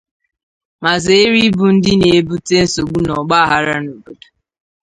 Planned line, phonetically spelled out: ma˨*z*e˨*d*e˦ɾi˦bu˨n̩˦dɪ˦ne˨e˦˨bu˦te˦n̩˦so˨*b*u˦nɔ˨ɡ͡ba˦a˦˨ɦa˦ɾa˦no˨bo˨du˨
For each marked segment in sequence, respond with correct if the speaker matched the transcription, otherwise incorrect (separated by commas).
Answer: correct, incorrect, incorrect